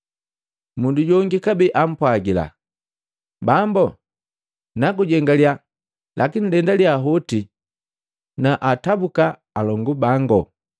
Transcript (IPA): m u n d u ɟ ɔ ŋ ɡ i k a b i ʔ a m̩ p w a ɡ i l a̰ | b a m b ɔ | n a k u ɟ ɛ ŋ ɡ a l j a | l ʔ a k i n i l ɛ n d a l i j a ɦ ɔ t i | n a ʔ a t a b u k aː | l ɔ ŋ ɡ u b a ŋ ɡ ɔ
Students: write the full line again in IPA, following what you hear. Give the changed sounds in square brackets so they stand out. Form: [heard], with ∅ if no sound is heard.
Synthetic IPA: m u n d u ɟ ɔ ŋ ɡ i k a b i ʔ a m̩ p w a ɡ i l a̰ | b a m b ɔ | n a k u ɟ ɛ ŋ ɡ a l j a | l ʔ a k i n i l ɛ n d a l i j a ɦ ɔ t i | n a ʔ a t a b u k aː | l ɔ ŋ ɡ u b a ŋ ɡ ɔ